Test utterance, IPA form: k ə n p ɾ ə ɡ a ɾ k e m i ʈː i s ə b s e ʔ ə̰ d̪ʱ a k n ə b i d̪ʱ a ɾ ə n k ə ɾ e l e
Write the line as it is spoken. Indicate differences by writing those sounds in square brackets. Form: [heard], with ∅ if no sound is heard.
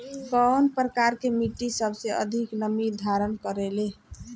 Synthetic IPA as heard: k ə n p ɾ ə [k] a ɾ k e m i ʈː i s ə b s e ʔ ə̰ d̪ʱ [i] k n ə [m] i d̪ʱ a ɾ ə n k ə ɾ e l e